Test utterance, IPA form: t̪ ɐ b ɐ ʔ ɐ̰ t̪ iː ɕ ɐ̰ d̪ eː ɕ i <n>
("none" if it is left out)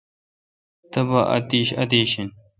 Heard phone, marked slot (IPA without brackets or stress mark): n